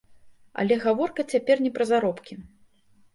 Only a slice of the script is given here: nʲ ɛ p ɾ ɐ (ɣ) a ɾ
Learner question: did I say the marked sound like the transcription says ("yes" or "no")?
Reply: no